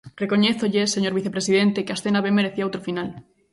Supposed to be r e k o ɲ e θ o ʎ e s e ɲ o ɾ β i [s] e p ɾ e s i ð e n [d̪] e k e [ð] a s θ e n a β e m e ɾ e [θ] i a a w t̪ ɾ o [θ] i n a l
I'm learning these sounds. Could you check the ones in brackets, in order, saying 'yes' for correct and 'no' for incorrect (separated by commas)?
no, no, no, yes, no